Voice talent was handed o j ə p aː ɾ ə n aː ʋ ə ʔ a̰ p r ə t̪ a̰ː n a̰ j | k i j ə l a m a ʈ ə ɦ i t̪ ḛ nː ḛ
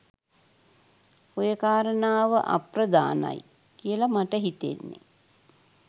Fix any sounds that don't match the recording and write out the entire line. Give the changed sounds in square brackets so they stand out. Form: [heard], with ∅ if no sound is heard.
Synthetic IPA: o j ə [k] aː ɾ ə n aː ʋ ə ʔ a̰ p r ə [d̪] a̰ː n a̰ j | k i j ə l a m a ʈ ə ɦ i t̪ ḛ nː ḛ